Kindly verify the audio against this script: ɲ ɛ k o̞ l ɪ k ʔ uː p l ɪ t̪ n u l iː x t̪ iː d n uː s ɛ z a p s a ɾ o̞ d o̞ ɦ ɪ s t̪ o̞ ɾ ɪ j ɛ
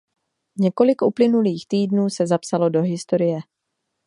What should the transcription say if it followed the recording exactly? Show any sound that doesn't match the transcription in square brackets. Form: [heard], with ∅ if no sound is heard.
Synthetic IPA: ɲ ɛ k o̞ l ɪ k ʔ [u] p l ɪ [∅] n u l iː x t̪ iː d n uː s ɛ z a p s a [l] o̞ d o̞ ɦ ɪ s t̪ o̞ ɾ ɪ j ɛ

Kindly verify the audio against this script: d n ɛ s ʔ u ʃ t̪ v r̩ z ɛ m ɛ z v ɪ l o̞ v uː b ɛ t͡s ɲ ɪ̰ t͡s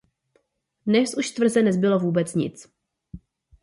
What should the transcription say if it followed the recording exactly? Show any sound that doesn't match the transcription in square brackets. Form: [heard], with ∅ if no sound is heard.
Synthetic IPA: d n ɛ s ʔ u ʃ t̪ v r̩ z ɛ [n] ɛ z [b] ɪ l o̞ v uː b ɛ t͡s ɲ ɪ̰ t͡s

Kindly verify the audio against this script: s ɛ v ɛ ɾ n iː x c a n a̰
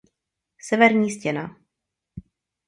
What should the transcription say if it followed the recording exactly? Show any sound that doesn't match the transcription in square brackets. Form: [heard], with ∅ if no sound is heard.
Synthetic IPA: s ɛ v ɛ ɾ [ɲ] iː [s] c [ɛ] n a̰

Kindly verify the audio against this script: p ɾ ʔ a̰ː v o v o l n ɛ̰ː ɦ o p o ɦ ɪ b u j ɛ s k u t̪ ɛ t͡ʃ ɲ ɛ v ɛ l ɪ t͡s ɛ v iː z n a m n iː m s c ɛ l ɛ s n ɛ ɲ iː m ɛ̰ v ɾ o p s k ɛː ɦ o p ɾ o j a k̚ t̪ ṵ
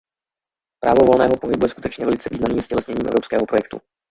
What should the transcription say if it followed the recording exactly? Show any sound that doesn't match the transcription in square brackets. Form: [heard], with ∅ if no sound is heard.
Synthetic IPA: p ɾ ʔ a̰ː v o v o l n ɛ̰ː ɦ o p o ɦ ɪ b u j ɛ s k u t̪ ɛ t͡ʃ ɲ ɛ v ɛ l ɪ t͡s ɛ v iː z n a m n iː m s c ɛ l ɛ s [ɲ] ɛ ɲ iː m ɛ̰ v ɾ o p s k ɛː ɦ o p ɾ o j [ɛ] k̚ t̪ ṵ

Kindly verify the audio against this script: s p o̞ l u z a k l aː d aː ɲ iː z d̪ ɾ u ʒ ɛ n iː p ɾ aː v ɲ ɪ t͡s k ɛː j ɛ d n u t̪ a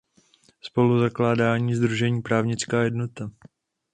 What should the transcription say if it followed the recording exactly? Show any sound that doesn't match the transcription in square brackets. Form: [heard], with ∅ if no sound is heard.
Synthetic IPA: s p o̞ l u z a k l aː d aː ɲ iː z d̪ ɾ u ʒ ɛ [ɲ] iː p ɾ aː v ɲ ɪ t͡s k [aː] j ɛ d n [o] t̪ a

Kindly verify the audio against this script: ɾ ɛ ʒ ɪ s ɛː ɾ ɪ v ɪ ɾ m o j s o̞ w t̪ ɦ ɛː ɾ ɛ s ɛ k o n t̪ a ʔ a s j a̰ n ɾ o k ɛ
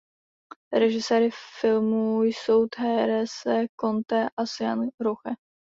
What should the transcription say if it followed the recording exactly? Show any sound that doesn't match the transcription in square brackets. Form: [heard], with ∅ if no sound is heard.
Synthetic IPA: ɾ ɛ ʒ ɪ s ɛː ɾ ɪ [f] ɪ [l] m [u] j s o̞ w t̪ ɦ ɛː ɾ ɛ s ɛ k o n t̪ [ɛ] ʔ a s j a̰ n ɾ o [x] ɛ

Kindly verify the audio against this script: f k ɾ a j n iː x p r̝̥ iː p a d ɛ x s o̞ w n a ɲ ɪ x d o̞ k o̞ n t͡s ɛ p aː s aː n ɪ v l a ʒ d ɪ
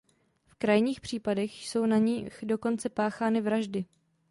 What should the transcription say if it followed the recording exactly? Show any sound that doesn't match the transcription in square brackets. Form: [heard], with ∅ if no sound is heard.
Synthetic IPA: f k ɾ a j [ɲ] iː x p r̝̥ iː p a d ɛ x s o̞ w n a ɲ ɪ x d o̞ k o̞ n t͡s ɛ p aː [x] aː n ɪ v [ɾ] a ʒ d ɪ

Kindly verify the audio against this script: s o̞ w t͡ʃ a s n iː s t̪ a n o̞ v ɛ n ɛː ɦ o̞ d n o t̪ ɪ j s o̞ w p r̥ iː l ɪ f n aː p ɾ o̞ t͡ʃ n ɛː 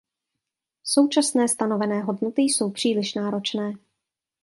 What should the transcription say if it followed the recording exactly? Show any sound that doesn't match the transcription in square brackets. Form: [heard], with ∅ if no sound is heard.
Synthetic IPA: s o̞ w t͡ʃ a s n [ɛː] s t̪ a n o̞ v ɛ n ɛː ɦ o̞ d n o t̪ ɪ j s o̞ w p r̥ iː l ɪ [ʃ] n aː [∅] ɾ o̞ t͡ʃ n ɛː

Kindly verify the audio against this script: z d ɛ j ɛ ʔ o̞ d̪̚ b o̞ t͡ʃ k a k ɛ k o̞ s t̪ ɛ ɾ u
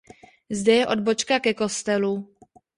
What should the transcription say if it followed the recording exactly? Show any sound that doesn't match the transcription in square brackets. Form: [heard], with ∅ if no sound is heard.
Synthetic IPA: z d ɛ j ɛ ʔ o̞ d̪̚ b o̞ t͡ʃ k a k ɛ k o̞ s t̪ ɛ [l] u

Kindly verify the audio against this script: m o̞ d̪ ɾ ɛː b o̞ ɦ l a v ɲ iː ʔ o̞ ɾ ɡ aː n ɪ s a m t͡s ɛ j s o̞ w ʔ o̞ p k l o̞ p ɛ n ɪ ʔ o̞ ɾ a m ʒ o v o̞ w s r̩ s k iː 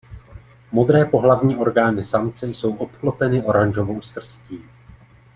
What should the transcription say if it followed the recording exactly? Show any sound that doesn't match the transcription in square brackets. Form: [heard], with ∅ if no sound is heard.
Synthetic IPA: m o̞ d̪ ɾ ɛː [p] o̞ ɦ l a v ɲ iː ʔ o̞ ɾ ɡ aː n ɪ s a m t͡s ɛ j s o̞ w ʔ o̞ p k l o̞ p ɛ n ɪ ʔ o̞ ɾ a [n] ʒ o v o̞ w s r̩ s [c] iː

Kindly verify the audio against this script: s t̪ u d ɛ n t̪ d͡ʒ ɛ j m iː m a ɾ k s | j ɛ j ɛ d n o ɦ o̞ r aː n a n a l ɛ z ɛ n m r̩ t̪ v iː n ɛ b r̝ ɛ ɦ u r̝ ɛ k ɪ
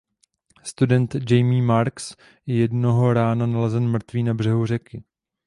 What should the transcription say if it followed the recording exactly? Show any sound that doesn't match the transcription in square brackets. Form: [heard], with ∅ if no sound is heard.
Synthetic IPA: s t̪ u d ɛ n t̪ d͡ʒ ɛ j m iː m a ɾ k s | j ɛ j ɛ d n o ɦ o̞ [ɾ] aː n a n a l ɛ z ɛ n m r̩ t̪ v iː n [a] b r̝ ɛ ɦ u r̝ ɛ k ɪ

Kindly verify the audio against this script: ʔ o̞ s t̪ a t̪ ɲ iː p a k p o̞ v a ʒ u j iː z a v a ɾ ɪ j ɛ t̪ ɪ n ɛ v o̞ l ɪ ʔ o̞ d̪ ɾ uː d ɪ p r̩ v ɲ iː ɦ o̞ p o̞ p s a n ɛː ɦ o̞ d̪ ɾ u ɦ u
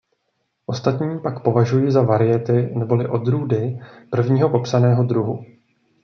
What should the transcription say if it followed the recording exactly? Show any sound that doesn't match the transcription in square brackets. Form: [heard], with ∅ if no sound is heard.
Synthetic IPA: ʔ o̞ s t̪ a t̪ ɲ iː p a k p o̞ v a ʒ u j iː z a v a ɾ ɪ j ɛ t̪ ɪ n ɛ [b] o̞ l ɪ ʔ o̞ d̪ ɾ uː d ɪ p r̩ v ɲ iː ɦ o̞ p o̞ p s a n ɛː ɦ o̞ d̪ ɾ u ɦ u

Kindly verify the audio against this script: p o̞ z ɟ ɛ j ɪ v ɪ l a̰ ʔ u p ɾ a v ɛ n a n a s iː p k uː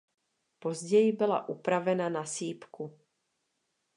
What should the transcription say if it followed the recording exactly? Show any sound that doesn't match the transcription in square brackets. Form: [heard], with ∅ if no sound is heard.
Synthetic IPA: p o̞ z ɟ ɛ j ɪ [b] ɪ l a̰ ʔ u p ɾ a v ɛ n a n a s iː p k [u]

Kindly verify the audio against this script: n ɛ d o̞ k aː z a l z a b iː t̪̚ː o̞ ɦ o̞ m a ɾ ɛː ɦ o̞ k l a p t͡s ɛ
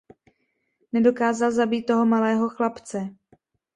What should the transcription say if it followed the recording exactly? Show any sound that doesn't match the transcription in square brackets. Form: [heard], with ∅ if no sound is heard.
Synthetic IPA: n ɛ d o̞ k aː z a l z a b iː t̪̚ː o̞ ɦ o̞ m a [l] ɛː ɦ o̞ [x] l a p t͡s ɛ

